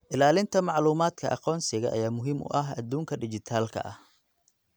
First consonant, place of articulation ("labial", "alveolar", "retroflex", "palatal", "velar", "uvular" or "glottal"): glottal